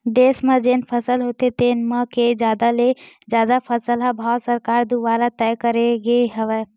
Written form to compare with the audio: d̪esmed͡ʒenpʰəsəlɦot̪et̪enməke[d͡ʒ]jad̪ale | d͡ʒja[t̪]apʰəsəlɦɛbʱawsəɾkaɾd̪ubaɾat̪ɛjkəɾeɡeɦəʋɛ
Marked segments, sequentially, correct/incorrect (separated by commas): correct, incorrect